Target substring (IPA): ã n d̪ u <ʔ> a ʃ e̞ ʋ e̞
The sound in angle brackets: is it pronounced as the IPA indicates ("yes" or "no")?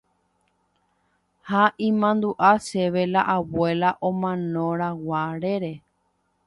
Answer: yes